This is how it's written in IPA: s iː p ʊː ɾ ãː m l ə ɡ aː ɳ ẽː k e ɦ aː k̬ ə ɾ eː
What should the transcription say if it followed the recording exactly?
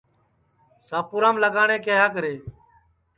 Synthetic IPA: s aː p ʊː ɾ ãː m l ə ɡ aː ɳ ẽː k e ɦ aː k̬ ə ɾ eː